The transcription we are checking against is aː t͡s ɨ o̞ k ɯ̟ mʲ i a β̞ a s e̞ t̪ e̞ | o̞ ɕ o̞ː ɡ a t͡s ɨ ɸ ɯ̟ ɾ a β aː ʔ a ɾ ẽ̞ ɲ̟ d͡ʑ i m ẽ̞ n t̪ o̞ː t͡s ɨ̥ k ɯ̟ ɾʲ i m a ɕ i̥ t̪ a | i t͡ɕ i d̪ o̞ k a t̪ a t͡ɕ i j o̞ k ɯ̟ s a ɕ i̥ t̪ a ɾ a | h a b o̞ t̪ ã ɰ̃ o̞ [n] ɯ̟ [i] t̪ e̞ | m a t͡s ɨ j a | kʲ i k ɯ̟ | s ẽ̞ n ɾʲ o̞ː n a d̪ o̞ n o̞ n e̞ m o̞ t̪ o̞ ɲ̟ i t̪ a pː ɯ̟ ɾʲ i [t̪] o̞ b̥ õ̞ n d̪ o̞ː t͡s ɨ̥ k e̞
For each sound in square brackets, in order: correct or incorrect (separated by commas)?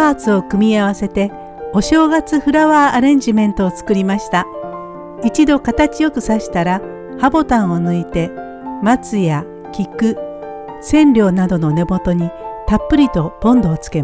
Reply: correct, correct, correct